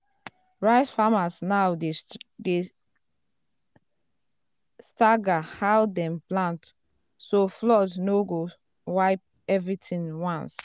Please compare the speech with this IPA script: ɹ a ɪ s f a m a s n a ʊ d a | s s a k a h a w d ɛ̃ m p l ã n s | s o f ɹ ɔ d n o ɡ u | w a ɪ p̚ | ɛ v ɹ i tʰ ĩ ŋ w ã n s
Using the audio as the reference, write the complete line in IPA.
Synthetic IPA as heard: ɹ a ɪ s f a m a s n a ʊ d e | s t a ɡ a h a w d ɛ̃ m p l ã n t | s o f l ɔ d n o ɡ o | w a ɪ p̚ | ɛ v ɹ i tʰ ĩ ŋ w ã n s